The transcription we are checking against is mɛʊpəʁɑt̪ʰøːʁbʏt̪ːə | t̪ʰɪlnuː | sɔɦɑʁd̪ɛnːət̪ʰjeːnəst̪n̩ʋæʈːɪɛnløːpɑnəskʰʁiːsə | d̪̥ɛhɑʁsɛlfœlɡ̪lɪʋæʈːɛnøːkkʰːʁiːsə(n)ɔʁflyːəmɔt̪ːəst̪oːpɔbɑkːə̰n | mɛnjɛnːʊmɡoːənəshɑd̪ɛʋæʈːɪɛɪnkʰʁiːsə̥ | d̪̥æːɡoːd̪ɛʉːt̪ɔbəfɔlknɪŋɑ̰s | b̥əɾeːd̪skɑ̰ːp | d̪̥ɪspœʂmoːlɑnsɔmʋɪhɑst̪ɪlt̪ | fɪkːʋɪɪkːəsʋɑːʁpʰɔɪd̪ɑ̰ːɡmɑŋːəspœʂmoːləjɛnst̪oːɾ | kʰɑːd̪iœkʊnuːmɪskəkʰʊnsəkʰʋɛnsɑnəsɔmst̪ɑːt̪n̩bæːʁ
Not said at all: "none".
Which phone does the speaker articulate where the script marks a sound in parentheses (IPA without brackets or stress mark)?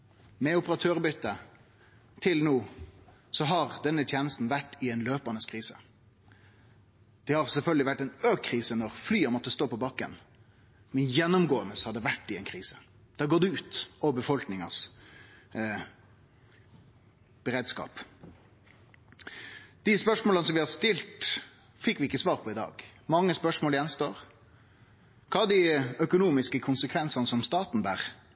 n